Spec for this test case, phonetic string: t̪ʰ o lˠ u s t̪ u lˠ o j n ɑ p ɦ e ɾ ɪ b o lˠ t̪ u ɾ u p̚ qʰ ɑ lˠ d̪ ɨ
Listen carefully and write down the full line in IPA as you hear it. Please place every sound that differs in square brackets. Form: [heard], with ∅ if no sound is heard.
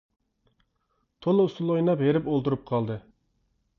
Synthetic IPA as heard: t̪ʰ o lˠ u s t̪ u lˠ o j n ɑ p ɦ e ɾ ɪ [p] o lˠ t̪ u ɾ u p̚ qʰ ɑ lˠ d̪ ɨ